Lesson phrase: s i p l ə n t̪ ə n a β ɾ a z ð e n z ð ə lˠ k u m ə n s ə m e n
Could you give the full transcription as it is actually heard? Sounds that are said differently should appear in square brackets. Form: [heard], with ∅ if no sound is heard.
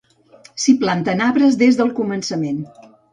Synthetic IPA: s i p l [a] n t̪ ə n a β ɾ [ə] z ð e [∅] z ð ə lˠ k u m ə n s ə m e n